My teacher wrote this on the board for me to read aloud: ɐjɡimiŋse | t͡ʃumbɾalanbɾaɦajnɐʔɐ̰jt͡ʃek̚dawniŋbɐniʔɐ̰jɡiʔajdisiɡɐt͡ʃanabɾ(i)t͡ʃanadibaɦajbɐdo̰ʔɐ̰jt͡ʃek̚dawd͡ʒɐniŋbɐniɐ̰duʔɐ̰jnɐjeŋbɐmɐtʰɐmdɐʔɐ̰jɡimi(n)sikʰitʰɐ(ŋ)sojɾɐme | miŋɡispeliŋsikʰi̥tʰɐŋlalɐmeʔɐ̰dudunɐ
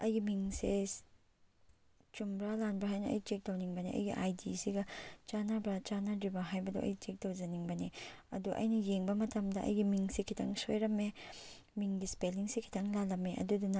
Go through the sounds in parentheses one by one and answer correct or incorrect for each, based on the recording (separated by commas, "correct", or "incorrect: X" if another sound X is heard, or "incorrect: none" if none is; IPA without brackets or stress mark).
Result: incorrect: a, incorrect: ŋ, correct